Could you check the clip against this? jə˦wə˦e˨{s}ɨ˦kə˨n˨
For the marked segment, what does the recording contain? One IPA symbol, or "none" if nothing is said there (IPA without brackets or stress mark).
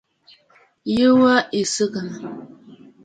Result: s